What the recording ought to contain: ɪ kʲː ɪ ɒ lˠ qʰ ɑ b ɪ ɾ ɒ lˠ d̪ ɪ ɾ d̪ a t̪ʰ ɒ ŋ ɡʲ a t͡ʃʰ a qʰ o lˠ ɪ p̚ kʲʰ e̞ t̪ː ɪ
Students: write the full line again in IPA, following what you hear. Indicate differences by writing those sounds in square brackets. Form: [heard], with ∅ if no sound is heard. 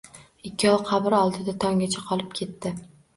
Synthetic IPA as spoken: ɪ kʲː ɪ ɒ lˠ qʰ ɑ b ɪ ɾ ɒ lˠ d̪ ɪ [∅] d̪ a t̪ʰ ɒ ŋ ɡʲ a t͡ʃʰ a qʰ [ɒ] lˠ ɪ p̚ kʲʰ e̞ t̪ː ɪ